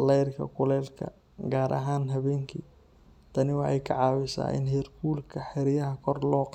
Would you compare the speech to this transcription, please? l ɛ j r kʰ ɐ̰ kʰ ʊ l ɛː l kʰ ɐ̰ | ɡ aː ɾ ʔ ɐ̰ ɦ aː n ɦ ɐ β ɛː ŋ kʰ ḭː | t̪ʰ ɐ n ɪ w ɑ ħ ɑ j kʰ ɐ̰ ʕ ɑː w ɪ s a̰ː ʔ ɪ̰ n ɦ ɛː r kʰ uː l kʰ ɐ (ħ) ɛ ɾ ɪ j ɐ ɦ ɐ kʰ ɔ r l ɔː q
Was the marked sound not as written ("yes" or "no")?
no